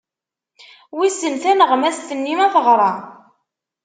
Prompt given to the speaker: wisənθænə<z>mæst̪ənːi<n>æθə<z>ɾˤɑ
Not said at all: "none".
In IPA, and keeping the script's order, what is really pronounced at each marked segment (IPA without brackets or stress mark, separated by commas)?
ʁ, m, ʁ